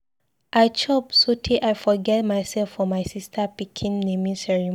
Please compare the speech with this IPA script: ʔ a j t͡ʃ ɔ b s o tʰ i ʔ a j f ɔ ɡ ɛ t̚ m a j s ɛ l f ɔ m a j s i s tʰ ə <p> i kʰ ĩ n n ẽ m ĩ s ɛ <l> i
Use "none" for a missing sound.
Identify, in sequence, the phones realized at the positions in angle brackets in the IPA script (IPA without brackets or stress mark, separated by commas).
p, ɹ